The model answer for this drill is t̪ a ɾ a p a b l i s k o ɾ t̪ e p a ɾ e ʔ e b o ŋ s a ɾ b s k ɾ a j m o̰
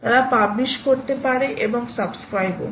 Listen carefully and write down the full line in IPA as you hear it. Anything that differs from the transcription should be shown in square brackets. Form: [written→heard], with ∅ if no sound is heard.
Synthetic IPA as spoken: t̪ a ɾ a p a b l i [s→ʃ] k o ɾ t̪ e p a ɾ e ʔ e b o ŋ s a [ɾ→∅] b s k ɾ a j [m→b] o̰